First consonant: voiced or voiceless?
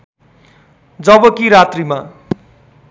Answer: voiced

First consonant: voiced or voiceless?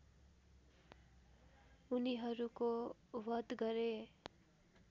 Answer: voiced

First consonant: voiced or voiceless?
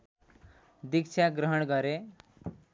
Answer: voiced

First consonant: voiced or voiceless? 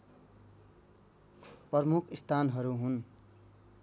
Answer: voiceless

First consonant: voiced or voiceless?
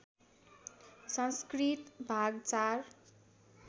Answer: voiceless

